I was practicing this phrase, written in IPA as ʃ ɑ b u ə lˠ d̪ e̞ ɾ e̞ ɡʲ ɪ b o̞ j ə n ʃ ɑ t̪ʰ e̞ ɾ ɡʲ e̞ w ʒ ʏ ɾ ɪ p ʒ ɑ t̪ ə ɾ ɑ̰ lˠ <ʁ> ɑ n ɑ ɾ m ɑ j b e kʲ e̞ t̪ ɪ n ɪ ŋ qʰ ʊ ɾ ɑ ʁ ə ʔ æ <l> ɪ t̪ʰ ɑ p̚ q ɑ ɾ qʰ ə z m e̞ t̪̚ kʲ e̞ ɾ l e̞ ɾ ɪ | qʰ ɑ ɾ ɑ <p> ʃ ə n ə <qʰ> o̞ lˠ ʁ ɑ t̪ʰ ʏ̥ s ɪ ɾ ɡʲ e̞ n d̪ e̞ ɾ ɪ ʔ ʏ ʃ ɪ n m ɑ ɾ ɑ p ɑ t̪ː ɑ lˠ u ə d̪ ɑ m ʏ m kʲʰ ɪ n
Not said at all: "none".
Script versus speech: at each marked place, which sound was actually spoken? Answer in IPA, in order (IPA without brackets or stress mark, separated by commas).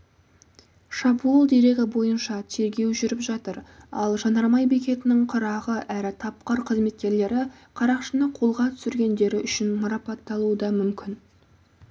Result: ʒ, ɾ, q, qʰ